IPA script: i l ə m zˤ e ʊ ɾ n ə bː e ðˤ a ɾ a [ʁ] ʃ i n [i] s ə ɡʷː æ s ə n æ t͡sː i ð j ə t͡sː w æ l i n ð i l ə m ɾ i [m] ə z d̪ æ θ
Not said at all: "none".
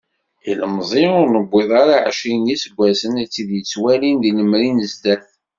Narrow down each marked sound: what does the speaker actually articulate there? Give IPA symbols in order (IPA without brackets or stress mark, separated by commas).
ʕ, i, n